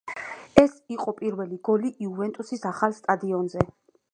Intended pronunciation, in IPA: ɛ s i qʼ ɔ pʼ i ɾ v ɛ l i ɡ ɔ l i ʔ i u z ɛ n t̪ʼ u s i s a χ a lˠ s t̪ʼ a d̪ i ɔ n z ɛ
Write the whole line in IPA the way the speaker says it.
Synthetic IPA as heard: ɛ s i qʼ ɔ pʼ i ɾ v ɛ l i ɡ ɔ l i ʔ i u v ɛ n t̪ʼ u s i s a χ a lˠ s t̪ʼ a d̪ i ɔ n z ɛ